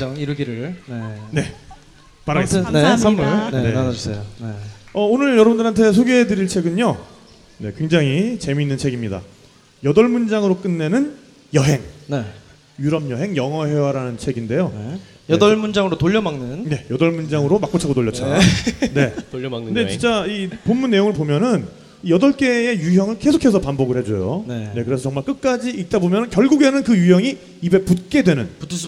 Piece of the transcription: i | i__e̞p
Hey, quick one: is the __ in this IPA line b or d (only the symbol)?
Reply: b